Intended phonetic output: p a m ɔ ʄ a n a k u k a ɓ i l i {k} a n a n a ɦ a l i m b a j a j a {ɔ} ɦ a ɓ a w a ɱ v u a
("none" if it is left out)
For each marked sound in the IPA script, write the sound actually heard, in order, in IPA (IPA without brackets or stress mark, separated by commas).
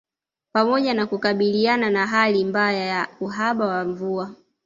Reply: none, u